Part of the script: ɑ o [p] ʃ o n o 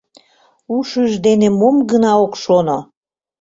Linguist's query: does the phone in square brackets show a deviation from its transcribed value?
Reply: yes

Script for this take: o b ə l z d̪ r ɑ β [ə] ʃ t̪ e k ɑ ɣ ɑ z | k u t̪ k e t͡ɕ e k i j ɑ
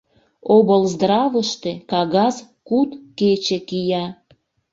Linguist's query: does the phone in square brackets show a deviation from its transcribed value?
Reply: no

